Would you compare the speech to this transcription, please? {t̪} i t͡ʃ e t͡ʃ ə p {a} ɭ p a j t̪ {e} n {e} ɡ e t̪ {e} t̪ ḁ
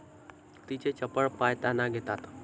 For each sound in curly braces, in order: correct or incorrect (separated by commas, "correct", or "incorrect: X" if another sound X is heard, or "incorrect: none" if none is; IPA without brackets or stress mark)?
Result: correct, incorrect: ə, incorrect: a, incorrect: a, incorrect: a